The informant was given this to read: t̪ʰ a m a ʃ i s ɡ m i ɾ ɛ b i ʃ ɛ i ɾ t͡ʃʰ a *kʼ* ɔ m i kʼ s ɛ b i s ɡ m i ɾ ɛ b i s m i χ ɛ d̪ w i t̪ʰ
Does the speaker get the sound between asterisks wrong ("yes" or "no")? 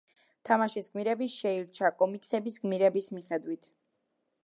no